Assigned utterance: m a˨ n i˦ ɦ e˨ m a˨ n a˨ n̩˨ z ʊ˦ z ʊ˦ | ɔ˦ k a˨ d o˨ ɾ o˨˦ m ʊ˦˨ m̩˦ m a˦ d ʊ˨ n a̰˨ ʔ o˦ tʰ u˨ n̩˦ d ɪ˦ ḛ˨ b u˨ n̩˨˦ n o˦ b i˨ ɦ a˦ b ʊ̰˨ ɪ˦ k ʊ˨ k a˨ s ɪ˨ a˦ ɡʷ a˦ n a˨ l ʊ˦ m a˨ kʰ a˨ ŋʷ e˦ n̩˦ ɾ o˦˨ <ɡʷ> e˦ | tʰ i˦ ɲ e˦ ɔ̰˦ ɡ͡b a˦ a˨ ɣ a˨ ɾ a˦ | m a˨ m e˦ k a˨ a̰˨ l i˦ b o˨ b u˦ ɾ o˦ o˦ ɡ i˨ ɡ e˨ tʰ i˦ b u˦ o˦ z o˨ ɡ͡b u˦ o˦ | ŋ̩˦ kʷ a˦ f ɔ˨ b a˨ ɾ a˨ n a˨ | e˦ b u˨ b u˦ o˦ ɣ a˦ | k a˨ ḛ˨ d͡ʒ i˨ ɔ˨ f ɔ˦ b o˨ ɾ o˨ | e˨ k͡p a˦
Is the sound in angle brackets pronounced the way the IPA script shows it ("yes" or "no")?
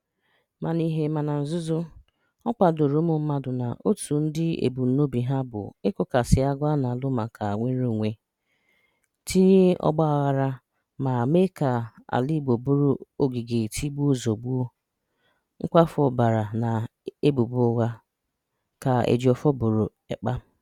no